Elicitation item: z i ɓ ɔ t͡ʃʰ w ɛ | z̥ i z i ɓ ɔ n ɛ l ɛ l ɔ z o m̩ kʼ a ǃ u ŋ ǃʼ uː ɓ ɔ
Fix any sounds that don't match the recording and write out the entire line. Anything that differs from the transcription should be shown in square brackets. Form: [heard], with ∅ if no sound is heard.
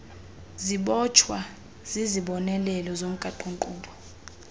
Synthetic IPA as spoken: z i ɓ ɔ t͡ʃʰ w [a] | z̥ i z i ɓ ɔ n ɛ l ɛ l ɔ z o m̩ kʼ a ǃ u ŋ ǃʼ uː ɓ ɔ